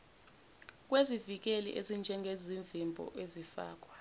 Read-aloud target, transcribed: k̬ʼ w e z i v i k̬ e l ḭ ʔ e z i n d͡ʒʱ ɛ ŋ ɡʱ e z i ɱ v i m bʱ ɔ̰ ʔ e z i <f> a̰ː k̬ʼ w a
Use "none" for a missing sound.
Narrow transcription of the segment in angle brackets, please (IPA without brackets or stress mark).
f